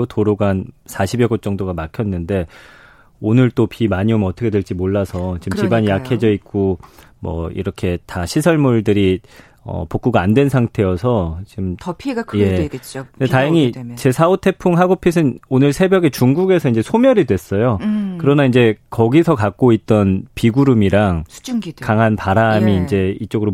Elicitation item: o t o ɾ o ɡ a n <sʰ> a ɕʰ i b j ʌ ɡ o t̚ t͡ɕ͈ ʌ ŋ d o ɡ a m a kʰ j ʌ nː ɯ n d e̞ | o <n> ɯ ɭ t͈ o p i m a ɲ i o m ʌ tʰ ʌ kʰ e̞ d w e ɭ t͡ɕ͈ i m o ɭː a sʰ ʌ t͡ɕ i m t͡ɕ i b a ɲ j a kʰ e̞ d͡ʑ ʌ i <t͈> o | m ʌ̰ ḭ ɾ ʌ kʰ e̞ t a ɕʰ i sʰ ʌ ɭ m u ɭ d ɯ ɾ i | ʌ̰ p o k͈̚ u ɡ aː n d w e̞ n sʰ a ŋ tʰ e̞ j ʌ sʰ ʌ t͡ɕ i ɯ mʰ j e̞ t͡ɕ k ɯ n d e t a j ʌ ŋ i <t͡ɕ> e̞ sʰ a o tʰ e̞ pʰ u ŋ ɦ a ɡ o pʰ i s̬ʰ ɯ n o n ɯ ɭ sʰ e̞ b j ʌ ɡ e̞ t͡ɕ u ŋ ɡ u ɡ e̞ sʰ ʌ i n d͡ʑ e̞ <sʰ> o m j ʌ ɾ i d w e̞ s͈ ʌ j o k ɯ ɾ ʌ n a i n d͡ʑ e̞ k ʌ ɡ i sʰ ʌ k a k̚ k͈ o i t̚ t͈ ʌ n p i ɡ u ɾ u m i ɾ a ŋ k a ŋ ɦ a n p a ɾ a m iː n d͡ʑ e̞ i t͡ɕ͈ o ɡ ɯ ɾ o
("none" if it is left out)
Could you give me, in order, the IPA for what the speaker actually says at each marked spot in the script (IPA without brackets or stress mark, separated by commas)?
sʰ, n, k͈, t͡ɕ, sʰ